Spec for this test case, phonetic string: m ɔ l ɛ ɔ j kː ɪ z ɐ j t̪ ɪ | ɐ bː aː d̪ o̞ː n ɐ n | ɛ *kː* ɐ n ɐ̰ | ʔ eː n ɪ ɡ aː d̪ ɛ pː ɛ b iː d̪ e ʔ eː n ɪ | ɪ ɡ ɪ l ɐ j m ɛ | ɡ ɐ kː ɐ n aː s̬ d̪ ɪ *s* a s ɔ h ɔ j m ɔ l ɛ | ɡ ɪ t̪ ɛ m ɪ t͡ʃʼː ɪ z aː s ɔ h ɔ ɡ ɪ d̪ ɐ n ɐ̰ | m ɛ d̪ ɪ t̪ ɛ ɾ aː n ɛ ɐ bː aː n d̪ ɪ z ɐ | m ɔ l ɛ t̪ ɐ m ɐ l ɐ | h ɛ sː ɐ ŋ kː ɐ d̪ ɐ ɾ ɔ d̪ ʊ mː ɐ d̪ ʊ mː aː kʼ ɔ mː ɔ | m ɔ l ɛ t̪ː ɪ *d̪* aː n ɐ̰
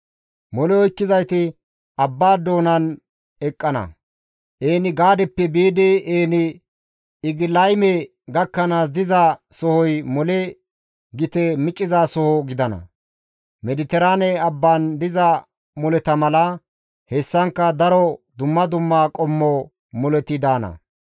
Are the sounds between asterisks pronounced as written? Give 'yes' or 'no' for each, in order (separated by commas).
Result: no, no, yes